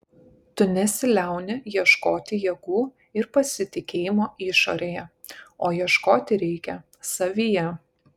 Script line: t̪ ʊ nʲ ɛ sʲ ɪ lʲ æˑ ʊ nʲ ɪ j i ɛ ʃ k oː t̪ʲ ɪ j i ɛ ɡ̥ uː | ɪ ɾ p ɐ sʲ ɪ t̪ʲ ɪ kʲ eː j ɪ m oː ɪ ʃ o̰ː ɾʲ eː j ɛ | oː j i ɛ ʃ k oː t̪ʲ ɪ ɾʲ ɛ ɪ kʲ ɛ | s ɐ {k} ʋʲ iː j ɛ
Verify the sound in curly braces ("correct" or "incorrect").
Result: incorrect